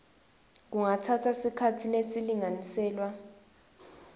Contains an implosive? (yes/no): no